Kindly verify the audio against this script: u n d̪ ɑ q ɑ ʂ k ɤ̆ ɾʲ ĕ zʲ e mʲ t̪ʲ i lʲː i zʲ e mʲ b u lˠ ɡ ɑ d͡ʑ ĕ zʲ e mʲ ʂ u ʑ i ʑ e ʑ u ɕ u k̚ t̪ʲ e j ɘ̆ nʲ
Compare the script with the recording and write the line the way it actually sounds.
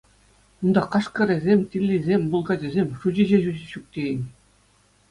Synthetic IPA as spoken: u n d̪ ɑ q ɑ ʂ k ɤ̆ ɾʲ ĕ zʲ e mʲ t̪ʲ i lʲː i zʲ e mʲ b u lˠ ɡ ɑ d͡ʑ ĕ zʲ e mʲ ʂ u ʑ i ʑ e ʑ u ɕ u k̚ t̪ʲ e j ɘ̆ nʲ